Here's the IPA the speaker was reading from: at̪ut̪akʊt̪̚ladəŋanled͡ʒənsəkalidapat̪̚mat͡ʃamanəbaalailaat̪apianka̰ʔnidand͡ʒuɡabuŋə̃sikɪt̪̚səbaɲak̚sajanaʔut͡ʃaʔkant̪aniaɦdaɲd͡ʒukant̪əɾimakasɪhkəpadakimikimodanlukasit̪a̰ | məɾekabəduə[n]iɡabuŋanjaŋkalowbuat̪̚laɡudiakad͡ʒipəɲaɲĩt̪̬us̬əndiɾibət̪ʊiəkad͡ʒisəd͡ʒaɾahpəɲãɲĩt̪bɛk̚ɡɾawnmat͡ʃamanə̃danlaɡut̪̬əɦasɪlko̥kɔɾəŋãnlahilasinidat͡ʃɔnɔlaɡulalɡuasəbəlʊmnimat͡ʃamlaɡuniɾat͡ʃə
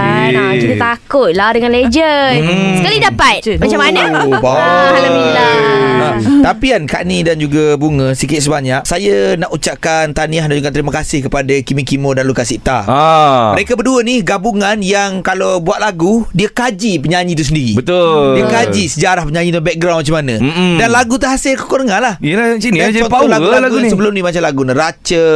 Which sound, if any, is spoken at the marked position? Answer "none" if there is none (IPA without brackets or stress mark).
n